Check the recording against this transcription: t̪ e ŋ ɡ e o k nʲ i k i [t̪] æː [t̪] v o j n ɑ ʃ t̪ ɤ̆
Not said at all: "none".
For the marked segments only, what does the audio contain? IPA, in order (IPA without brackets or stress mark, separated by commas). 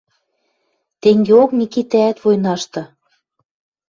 t̪, t̪